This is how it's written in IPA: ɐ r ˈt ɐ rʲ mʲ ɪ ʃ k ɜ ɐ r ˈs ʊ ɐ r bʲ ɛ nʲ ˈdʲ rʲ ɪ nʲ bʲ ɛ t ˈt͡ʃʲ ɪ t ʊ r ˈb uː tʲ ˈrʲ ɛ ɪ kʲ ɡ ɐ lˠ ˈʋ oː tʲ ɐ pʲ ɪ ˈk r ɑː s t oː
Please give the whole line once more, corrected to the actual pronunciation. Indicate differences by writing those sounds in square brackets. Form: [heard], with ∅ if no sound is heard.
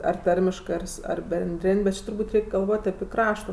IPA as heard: ɐ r ˈt ɐ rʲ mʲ ɪ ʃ k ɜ ɐ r ˈs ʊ ɐ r bʲ ɛ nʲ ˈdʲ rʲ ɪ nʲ bʲ ɛ t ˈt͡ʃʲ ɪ t ʊ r ˈb uː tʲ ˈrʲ ɛ ɪ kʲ ɡ ɐ lˠ ˈʋ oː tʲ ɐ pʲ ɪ ˈk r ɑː [ʃ] t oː